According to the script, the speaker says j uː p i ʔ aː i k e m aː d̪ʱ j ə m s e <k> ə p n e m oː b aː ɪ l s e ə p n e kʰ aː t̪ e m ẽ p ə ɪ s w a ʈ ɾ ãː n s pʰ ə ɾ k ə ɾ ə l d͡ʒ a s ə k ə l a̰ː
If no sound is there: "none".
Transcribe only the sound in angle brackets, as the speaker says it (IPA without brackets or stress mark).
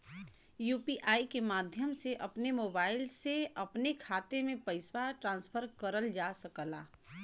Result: ʔ